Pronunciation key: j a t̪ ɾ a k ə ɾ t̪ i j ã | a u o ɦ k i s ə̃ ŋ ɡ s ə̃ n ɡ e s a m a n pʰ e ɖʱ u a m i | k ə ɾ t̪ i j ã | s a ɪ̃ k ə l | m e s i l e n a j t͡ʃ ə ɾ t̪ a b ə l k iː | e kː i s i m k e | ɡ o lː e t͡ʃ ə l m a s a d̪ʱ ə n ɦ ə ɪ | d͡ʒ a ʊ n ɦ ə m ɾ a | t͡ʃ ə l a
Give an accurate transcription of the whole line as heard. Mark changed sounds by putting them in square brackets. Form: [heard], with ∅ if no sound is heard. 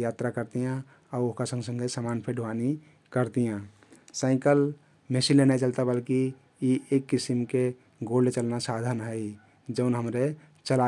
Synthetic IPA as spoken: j a t̪ ɾ a k ə ɾ t̪ i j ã | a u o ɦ k [a] s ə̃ ŋ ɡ s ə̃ [ŋ] ɡ e s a m a n pʰ e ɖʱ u a [n] i | k ə ɾ t̪ i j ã | s a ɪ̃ k ə l | m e s i l e n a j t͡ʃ ə [l] t̪ a b ə l k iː | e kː i s i m k e | ɡ o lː e t͡ʃ ə l [n] a s a d̪ʱ ə n ɦ ə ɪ | d͡ʒ [ə] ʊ n ɦ ə m ɾ [e] | t͡ʃ ə l a